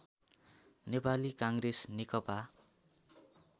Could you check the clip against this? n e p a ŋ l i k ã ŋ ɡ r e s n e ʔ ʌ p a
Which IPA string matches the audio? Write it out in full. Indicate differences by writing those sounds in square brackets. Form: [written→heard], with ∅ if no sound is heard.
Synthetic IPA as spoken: n e p a [ŋ→∅] l i k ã ŋ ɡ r e s n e [ʔ→k] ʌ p a